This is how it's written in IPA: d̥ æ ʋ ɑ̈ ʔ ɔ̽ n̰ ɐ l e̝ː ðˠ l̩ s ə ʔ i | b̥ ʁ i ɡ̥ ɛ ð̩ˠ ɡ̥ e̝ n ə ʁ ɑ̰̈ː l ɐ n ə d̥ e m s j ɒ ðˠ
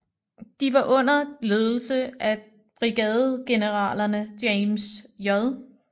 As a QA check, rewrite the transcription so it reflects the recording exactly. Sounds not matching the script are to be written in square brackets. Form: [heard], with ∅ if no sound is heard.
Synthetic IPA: d̥ [i] ʋ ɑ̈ ʔ ɔ̽ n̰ ɐ l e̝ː ðˠ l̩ s ə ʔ [æ] | b̥ ʁ i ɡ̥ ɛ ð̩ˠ ɡ̥ e̝ n ə ʁ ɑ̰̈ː l ɐ n ə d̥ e m s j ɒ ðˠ